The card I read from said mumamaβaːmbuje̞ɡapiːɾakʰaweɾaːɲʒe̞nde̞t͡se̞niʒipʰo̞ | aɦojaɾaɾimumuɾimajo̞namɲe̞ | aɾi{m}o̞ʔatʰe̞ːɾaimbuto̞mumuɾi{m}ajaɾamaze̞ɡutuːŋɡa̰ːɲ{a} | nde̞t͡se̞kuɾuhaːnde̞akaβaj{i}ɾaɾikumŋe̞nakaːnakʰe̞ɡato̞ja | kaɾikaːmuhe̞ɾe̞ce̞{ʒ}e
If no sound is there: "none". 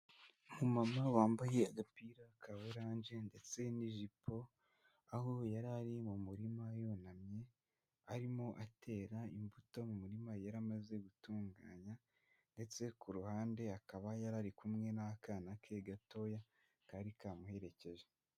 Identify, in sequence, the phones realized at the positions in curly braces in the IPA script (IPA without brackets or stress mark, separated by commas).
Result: m, m, a, a, ʒ